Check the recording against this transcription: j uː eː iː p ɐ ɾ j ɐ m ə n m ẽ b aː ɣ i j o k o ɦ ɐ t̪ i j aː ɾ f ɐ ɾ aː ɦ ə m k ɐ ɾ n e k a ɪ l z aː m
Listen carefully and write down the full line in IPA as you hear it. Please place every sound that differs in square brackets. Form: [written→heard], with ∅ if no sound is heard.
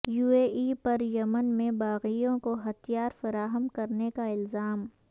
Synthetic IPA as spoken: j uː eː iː p ɐ ɾ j ɐ m ə n m ẽ b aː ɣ i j [o→õ] k o ɦ ɐ t̪ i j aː ɾ f ɐ ɾ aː ɦ ə m k ɐ ɾ n e k a ɪ l z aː m